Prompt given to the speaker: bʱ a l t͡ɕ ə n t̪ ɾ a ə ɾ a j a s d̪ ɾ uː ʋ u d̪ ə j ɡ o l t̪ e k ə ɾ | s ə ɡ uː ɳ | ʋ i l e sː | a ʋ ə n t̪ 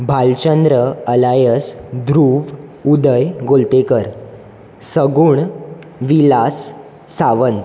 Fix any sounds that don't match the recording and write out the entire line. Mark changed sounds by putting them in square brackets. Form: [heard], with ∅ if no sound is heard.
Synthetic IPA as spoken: bʱ a l t͡ɕ ə n [d̪] ɾ [ə] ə [l] a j [ə] s d̪ ɾ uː ʋ u d̪ ə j ɡ o l t̪ e k ə ɾ | s ə ɡ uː ɳ | ʋ i l [a] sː | a ʋ ə n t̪